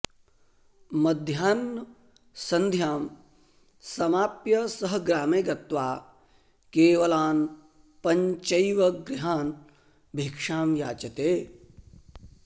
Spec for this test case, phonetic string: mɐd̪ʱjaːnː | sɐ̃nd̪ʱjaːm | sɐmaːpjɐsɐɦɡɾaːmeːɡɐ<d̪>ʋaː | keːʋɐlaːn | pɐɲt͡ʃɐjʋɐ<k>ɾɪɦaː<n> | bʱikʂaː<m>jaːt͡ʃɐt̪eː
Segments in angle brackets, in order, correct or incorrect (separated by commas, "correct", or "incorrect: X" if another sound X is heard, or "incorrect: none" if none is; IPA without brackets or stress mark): incorrect: t̪, incorrect: ɡ, correct, correct